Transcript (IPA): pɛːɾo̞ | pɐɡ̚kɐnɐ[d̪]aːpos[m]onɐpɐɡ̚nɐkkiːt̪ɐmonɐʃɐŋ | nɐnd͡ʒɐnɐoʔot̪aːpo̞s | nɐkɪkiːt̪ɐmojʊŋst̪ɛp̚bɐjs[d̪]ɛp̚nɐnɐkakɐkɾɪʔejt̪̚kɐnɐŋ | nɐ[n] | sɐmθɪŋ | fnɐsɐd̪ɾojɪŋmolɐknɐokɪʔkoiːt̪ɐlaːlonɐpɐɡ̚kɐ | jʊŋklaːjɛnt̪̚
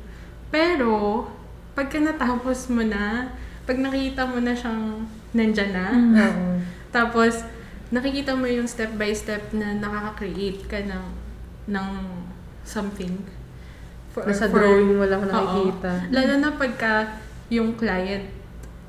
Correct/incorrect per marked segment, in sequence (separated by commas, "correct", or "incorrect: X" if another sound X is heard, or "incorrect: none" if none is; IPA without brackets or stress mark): incorrect: t̪, correct, incorrect: t̪, incorrect: ŋ